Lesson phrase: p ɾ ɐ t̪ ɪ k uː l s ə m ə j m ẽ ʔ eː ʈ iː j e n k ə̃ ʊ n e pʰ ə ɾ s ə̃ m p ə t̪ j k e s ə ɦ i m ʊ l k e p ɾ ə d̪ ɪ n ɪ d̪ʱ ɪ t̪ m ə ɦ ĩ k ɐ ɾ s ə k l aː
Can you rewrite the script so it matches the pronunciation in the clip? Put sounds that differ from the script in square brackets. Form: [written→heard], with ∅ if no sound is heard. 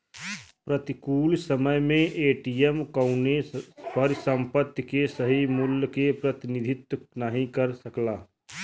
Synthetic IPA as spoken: p ɾ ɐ t̪ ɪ k uː l s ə m ə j m ẽ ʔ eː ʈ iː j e [n→m] k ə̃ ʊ n e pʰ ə ɾ s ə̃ m p ə t̪ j k e s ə ɦ i m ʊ l k e p ɾ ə [d̪→t̪] ɪ n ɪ d̪ʱ ɪ t̪ [m→n] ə ɦ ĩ k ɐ ɾ s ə k l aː